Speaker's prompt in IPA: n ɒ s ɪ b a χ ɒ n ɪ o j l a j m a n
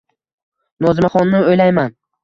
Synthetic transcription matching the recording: n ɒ z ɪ m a χ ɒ nː ɪ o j l a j m a n